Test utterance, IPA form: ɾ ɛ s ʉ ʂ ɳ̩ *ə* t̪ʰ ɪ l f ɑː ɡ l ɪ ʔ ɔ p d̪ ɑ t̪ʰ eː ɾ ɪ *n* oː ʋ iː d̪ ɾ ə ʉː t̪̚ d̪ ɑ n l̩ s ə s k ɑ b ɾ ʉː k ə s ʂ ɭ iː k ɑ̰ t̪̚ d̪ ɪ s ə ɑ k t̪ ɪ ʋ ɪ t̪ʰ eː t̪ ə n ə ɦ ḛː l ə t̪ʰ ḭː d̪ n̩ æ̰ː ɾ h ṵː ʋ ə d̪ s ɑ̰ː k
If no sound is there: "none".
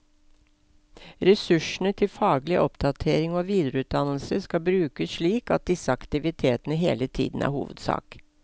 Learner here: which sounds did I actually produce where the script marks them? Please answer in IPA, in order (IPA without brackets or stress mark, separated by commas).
ə, ŋ